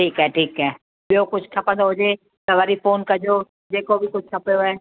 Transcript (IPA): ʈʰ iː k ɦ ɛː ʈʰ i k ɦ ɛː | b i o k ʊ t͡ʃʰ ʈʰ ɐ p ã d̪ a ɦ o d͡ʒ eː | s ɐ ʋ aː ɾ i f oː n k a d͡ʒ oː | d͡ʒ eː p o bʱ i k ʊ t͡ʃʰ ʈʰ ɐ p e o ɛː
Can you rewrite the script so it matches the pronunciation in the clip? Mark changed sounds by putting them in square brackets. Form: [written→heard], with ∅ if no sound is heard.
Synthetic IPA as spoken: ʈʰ iː k ɦ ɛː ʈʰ [i→iː] k ɦ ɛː | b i o k ʊ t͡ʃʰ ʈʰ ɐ p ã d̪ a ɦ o d͡ʒ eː | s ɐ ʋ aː ɾ i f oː n k a d͡ʒ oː | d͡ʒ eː [p→k] o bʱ i k ʊ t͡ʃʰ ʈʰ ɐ p e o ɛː